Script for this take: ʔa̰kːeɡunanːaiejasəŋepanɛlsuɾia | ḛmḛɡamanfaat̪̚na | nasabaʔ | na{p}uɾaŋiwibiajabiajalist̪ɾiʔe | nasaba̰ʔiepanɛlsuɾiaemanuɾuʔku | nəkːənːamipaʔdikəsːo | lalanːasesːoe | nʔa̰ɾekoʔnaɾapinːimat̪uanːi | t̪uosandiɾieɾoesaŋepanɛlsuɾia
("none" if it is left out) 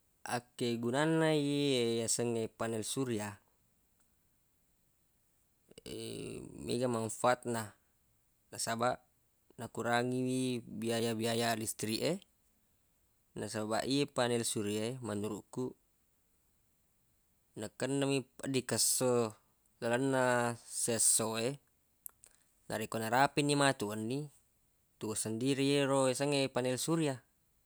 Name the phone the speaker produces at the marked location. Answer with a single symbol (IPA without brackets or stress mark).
k